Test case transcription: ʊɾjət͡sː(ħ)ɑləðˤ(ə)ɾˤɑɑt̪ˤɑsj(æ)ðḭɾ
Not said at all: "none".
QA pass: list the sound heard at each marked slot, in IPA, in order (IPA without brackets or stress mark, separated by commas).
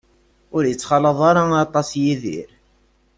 χ, ɑ, i